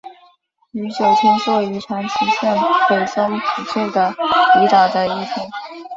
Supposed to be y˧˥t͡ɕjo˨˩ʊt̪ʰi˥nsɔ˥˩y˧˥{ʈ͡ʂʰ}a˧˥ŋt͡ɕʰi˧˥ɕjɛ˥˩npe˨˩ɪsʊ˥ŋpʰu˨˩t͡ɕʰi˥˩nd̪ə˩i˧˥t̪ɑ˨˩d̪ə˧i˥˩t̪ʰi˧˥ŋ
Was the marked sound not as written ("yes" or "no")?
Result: no